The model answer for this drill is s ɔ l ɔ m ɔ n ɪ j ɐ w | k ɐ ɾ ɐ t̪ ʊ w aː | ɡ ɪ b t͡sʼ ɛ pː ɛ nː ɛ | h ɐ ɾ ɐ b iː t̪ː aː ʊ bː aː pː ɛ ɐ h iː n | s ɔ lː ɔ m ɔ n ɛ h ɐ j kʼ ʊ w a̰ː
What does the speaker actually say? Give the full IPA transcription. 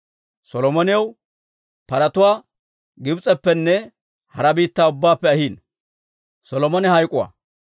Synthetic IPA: s ɔ l ɔ m ɔ n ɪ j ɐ w | p ɐ ɾ ɐ t̪ ʊ w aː | ɡ ɪ b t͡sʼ ɛ pː ɛ nː ɛ | h ɐ ɾ ɐ b iː t̪ː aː ʊ bː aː pː ɛ ɐ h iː n | s ɔ l ɔ m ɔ n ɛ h ɐ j kʼ ʊ w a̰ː